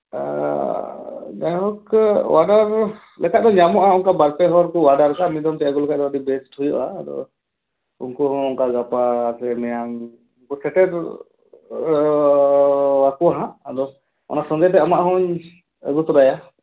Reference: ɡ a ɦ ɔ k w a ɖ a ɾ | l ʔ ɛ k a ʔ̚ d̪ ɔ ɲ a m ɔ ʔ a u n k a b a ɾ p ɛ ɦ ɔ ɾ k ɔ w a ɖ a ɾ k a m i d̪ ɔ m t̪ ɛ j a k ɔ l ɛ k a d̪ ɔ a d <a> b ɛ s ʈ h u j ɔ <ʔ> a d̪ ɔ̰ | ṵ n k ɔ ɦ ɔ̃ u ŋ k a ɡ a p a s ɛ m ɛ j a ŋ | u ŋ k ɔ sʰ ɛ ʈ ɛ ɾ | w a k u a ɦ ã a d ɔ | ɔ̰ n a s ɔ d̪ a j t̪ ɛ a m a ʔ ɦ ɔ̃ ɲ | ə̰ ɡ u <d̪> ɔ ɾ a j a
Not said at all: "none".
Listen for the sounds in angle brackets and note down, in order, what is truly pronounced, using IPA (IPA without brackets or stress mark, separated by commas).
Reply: i, ʔ, t̪